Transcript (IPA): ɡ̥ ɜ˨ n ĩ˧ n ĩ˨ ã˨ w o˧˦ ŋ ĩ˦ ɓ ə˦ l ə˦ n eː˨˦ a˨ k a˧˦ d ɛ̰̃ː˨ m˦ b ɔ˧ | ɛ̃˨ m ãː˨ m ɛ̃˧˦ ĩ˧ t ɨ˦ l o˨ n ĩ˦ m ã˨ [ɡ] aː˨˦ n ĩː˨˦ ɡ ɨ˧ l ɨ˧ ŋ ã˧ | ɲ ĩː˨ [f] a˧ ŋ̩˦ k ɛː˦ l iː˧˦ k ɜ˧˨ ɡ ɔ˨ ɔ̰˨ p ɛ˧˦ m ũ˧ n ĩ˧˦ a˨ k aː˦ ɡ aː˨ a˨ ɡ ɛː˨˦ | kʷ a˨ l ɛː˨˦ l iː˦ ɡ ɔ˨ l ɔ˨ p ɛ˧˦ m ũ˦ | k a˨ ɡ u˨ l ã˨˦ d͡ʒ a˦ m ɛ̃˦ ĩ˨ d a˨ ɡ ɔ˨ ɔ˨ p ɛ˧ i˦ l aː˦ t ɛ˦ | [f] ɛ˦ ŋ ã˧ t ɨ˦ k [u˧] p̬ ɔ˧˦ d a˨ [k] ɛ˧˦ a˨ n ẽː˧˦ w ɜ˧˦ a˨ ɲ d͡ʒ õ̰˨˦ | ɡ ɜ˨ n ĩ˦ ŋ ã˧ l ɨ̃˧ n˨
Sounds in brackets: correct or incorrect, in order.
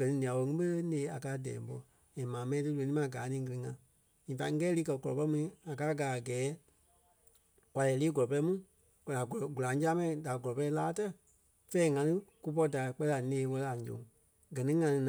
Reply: correct, correct, correct, correct, incorrect

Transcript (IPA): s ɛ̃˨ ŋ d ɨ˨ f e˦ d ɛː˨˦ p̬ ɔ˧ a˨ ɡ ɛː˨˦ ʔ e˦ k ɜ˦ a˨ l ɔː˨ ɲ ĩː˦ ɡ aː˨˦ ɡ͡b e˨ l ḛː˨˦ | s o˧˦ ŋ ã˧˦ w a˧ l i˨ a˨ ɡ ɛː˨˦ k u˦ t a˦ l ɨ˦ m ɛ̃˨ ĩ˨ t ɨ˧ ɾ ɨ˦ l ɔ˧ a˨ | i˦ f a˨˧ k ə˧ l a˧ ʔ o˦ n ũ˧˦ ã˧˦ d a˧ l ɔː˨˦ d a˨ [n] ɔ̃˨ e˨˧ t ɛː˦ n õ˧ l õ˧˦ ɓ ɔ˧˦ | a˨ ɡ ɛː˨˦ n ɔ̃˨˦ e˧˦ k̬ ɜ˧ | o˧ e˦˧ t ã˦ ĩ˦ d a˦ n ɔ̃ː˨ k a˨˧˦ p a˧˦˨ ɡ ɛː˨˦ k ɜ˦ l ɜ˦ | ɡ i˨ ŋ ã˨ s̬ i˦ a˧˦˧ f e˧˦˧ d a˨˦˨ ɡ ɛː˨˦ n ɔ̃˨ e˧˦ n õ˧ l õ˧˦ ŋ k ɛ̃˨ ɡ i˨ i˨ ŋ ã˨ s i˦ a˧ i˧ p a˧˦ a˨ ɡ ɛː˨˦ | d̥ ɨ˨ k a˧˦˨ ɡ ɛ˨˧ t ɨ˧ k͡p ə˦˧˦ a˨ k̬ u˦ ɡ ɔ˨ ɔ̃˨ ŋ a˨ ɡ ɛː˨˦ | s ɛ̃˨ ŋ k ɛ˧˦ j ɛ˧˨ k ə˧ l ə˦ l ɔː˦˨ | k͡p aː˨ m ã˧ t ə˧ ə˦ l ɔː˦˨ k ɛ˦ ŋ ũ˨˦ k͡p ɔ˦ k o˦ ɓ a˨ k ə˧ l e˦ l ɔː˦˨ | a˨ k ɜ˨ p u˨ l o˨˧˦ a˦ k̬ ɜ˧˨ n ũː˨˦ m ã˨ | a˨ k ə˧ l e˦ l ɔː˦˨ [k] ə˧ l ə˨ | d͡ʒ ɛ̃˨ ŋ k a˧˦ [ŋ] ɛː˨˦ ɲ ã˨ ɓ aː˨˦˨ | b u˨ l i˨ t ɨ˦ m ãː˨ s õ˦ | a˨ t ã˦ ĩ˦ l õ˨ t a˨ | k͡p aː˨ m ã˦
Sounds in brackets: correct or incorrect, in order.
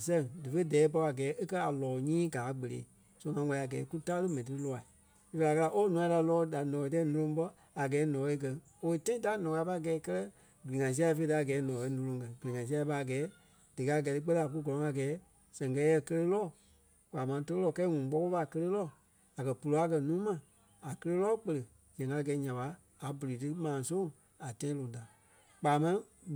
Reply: correct, incorrect, incorrect

